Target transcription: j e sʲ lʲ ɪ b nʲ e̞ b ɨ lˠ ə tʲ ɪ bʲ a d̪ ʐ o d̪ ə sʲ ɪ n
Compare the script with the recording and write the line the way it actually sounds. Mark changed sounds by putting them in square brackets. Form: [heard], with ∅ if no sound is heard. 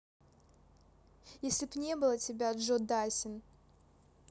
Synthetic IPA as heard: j e sʲ lʲ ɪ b nʲ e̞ b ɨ lˠ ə tʲ ɪ bʲ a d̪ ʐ o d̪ [a] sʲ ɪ n